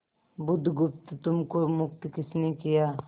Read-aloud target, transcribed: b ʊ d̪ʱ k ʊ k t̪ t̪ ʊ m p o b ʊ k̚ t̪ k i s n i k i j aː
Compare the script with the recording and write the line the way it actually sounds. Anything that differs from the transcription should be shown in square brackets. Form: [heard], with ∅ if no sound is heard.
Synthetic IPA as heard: b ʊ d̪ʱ [ɡ] ʊ [p] t̪ t̪ ʊ m [k] o [m] ʊ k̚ t̪ k [ɪ] s n [e] k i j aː